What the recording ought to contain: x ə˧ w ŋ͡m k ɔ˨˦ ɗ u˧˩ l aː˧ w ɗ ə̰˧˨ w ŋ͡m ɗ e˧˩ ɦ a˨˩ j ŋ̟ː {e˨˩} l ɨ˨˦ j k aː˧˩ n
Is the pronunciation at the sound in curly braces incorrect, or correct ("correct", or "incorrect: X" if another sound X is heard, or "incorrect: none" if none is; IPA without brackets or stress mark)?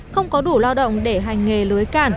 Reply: correct